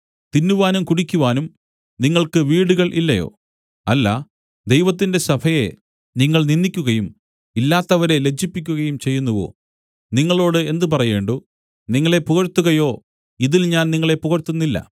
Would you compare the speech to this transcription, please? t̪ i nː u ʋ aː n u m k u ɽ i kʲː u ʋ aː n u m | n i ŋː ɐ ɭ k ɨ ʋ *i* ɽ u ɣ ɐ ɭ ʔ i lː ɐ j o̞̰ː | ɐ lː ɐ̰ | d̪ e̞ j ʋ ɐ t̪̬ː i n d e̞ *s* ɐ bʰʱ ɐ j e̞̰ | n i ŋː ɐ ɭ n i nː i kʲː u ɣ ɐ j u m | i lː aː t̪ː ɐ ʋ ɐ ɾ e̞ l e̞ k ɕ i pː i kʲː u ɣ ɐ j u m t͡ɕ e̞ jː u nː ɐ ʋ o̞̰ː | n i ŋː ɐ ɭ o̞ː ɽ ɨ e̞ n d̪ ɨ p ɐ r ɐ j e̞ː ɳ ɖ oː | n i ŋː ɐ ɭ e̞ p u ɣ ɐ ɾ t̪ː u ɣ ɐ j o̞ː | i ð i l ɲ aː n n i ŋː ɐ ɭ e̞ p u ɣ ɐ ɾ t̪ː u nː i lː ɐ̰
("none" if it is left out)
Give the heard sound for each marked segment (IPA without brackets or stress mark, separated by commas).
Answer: iː, s